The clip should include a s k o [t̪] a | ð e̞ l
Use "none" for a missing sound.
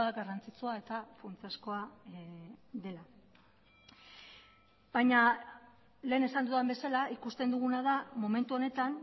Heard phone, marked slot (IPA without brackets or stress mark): none